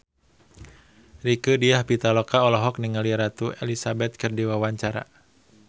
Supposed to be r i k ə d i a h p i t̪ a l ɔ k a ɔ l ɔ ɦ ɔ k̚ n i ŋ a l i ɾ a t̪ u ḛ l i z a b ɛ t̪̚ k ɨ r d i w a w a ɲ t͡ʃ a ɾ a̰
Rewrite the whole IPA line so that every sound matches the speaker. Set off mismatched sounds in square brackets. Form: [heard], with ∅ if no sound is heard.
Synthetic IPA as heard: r i k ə d i a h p i t̪ a l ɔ k a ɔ l ɔ ɦ ɔ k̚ n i ŋ a l i ɾ a t̪ u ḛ l i [s] a b ɛ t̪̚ k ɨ r d i w a w a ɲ t͡ʃ a ɾ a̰